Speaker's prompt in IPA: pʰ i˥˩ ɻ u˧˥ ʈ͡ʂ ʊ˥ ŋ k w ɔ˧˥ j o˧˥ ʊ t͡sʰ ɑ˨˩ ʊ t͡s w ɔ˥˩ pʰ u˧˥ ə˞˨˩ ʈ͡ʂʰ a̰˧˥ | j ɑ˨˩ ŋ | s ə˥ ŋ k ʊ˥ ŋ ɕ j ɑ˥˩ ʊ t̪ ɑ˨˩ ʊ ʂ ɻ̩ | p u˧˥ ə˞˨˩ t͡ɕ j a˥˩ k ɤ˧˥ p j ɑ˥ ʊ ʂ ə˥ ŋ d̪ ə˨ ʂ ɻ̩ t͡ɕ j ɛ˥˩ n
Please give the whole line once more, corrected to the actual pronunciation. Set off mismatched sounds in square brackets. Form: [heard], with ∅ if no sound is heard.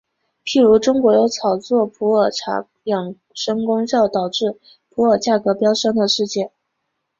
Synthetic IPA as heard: pʰ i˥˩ ɻ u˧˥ ʈ͡ʂ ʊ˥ ŋ k w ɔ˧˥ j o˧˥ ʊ t͡sʰ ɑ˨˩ ʊ t͡s w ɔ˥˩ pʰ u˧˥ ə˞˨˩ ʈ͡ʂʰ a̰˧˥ | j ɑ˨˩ ŋ | [ʂ] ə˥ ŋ k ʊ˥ ŋ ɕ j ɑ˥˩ ʊ t̪ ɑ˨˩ ʊ [ʈ͡ʂ] ɻ̩ | [pʰ] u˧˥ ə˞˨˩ t͡ɕ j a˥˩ k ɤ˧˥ p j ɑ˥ ʊ ʂ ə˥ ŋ d̪ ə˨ ʂ ɻ̩ t͡ɕ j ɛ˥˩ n

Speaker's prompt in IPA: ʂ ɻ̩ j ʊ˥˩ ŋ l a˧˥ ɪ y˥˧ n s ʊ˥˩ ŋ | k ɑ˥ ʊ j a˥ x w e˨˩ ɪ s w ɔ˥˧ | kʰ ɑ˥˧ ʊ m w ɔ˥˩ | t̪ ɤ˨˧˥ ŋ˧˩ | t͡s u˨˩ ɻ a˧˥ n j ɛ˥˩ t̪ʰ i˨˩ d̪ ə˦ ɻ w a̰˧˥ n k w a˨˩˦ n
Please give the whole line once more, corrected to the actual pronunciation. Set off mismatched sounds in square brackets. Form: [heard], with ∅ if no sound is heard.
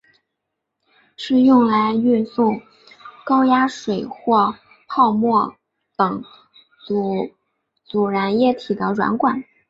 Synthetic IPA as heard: ʂ ɻ̩ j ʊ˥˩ ŋ l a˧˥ ɪ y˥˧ n s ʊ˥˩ ŋ | k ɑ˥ ʊ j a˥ [ʂ] w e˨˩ ɪ [x] w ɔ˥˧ | [pʰ] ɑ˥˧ ʊ m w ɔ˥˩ | t̪ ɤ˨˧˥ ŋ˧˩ | t͡s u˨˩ ɻ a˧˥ n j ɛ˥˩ t̪ʰ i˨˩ d̪ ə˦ ɻ w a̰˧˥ n k w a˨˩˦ n

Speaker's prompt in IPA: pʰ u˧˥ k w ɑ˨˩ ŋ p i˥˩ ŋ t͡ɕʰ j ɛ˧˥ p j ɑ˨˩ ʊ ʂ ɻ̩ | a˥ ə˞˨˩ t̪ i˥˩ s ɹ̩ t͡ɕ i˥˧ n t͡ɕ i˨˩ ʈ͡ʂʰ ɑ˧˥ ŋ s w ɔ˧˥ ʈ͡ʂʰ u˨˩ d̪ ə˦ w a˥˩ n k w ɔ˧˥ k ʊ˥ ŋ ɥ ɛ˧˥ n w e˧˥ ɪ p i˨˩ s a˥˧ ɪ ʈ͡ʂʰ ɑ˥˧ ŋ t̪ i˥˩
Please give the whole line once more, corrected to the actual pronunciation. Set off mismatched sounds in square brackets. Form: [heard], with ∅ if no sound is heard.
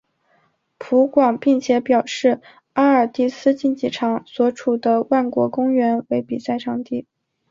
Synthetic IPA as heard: pʰ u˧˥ k w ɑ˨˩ ŋ p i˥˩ ŋ t͡ɕʰ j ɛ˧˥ p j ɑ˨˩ ʊ ʂ ɻ̩ | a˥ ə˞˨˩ t̪ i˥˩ s ɹ̩ t͡ɕ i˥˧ n t͡ɕ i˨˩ ʈ͡ʂʰ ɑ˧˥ ŋ s w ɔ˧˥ ʈ͡ʂʰ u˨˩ d̪ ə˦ w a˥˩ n k w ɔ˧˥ k ʊ˥ ŋ ɥ ɛ˧˥ n w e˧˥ ɪ p i˨˩ s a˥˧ ɪ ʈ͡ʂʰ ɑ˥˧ ŋ t̪ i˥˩

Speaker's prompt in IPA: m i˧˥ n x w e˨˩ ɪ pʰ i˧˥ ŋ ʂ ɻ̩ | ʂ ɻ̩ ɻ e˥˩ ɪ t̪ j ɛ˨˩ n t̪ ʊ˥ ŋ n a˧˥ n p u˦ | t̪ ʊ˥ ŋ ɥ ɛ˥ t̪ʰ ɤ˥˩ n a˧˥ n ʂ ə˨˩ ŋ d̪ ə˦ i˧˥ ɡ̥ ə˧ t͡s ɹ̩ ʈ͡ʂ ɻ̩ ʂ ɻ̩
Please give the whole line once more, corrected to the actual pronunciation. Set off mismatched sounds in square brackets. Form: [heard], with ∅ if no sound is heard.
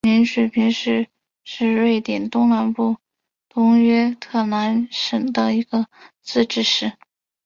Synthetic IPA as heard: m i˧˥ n [ʂ] w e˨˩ ɪ pʰ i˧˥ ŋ ʂ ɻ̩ | ʂ ɻ̩ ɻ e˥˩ ɪ t̪ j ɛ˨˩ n t̪ ʊ˥ ŋ n a˧˥ n p [u˥˩] | t̪ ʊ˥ ŋ ɥ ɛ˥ t̪ʰ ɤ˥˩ n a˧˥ n ʂ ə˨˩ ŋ d̪ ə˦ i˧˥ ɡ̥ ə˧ t͡s ɹ̩ ʈ͡ʂ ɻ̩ ʂ ɻ̩

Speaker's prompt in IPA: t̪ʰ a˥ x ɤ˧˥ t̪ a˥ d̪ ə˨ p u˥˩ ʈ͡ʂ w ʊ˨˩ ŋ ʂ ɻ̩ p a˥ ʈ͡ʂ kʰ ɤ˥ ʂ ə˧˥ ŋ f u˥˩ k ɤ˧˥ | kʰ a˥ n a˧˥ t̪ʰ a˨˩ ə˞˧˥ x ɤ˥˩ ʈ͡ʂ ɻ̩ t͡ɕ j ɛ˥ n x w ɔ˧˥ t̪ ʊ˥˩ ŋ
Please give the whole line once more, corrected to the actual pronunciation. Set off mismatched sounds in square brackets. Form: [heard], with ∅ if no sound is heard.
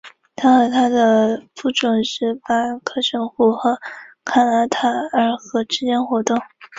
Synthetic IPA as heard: t̪ʰ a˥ x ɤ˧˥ [t̪ʰ] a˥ d̪ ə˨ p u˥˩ ʈ͡ʂ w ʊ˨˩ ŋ ʂ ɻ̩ p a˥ [∅] kʰ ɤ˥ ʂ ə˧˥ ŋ [x] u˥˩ [x] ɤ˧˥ | kʰ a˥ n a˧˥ t̪ʰ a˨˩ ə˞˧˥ x [ɤ˧˥] ʈ͡ʂ ɻ̩ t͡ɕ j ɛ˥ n x w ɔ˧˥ t̪ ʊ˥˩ ŋ

